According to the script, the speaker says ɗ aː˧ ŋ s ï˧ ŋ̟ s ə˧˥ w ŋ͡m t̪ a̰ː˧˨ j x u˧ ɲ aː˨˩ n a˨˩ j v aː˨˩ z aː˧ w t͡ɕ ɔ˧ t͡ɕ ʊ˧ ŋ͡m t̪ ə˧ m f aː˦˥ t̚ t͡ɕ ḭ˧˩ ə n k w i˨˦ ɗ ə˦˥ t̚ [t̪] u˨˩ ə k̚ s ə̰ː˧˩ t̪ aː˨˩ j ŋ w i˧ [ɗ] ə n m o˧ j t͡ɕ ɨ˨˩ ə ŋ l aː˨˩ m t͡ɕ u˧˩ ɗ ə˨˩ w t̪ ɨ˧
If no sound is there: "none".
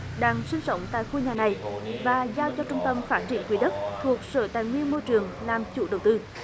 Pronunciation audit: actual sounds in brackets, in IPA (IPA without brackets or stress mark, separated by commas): t̪ʰ, none